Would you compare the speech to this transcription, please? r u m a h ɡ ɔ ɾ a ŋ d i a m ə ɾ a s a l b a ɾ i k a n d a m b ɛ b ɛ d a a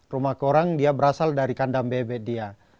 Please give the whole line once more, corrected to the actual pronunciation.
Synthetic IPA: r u m a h k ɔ ɾ a ŋ d i a b ə ɾ a s a l d a ɾ i k a n d a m b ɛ b ɛ d i a